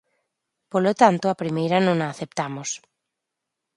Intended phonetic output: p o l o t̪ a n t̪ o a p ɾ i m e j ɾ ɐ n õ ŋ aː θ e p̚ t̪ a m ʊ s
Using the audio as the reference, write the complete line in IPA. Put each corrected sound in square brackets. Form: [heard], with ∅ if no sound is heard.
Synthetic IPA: p o l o t̪ a n t̪ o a p ɾ i m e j ɾ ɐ n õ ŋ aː θ e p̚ t̪ a m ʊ s

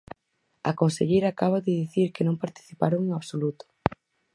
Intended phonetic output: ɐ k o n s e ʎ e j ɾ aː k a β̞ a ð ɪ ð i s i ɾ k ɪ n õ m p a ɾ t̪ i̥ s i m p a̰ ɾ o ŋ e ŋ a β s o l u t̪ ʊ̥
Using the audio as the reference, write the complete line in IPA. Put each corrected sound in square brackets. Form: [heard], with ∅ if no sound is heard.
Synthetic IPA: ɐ k o n s e ʎ e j ɾ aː k a β̞ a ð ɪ ð i [θ] i ɾ k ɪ n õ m p a ɾ t̪ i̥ [θ] i [∅] p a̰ ɾ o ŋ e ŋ a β s o l u t̪ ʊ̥

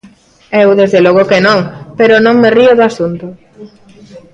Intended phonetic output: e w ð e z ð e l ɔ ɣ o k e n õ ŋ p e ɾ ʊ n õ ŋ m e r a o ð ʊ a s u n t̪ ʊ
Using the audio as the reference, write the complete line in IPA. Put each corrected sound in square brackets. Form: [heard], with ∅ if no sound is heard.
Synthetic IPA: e w ð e z ð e l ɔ ɣ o k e n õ ŋ p e ɾ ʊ n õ ŋ m e r [i] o ð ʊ a s u n t̪ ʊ

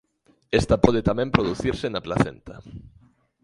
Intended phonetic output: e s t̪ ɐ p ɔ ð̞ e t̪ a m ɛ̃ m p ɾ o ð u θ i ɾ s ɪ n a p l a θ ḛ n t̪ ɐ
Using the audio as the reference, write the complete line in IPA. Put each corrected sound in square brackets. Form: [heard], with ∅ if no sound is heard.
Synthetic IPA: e s t̪ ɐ p ɔ ð̞ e t̪ a m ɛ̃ m p ɾ o ð u θ i ɾ s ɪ n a p l a θ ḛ n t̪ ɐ

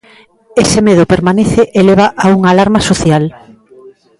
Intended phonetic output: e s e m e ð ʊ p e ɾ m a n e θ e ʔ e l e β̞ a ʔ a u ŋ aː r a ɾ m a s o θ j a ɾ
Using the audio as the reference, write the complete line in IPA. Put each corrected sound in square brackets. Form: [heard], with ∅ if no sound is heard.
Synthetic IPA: e s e m e ð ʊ p e ɾ m a n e θ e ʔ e l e β̞ a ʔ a u ŋ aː [l] a ɾ m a s o θ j a [l]

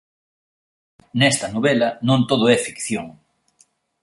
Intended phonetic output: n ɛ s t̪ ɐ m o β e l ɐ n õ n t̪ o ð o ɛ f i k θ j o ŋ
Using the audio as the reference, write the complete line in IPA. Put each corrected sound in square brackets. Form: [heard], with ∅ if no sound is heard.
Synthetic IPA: n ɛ s t̪ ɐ [n] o β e l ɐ n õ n t̪ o ð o ɛ f i k θ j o ŋ

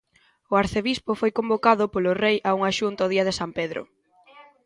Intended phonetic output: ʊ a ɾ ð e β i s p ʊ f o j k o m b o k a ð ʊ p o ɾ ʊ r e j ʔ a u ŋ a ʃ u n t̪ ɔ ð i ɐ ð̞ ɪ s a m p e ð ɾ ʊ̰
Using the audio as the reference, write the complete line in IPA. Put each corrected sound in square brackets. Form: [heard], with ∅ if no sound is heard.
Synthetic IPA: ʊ a ɾ [θ] e β i s p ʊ f o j k o m b o k a ð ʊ p o [l] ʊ r e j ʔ a u ŋ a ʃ u n t̪ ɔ ð i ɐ ð̞ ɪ s a m p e ð ɾ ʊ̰

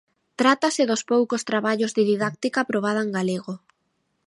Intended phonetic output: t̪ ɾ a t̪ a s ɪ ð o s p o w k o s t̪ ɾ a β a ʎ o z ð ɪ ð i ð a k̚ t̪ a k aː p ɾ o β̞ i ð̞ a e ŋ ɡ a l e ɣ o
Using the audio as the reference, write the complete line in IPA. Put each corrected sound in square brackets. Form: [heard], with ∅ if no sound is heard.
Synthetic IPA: t̪ ɾ a t̪ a s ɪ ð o s p o w k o s t̪ ɾ a β a ʎ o z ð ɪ ð i ð a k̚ t̪ [i] k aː p ɾ o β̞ [a] ð̞ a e ŋ ɡ a l e ɣ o

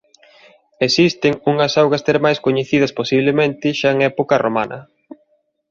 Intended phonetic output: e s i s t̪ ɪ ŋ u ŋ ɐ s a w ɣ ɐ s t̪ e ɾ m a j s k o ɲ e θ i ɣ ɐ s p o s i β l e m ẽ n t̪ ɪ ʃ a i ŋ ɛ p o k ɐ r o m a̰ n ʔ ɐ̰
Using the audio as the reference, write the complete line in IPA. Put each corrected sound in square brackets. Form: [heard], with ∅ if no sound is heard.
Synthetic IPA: e s i s t̪ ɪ ŋ u ŋ ɐ s a w ɣ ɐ s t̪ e ɾ m a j s k o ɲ e θ i [ð] ɐ s p o s i β l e m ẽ n t̪ ɪ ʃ a [e] ŋ ɛ p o k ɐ r o m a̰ n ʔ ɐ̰

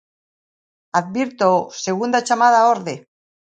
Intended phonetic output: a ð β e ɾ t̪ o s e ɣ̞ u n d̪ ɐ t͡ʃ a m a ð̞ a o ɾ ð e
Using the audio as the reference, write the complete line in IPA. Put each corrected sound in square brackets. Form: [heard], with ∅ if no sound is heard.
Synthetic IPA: a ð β [i] ɾ t̪ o s e ɣ̞ u n d̪ [a] t͡ʃ a m a ð̞ a o ɾ ð e

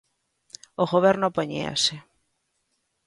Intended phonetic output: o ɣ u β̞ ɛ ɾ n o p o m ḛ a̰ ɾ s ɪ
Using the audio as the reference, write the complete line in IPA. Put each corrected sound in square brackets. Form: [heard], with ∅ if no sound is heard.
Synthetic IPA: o ɣ [o] β̞ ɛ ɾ n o p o [ɲ] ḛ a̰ [∅] s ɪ

